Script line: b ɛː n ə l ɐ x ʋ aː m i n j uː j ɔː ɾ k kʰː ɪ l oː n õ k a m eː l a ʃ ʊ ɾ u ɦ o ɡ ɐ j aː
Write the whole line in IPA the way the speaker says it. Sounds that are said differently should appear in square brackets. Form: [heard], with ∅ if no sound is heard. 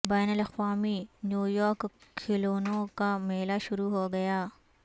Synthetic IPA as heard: b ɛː n ə l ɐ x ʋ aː m i n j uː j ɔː ɾ k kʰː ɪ l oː n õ k a m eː l a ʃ ʊ ɾ u ɦ o ɡ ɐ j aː